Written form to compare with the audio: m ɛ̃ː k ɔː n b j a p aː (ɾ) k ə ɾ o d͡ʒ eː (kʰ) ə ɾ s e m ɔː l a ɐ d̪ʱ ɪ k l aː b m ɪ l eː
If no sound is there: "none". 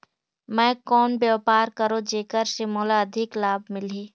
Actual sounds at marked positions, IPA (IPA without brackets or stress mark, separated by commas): ɾ, k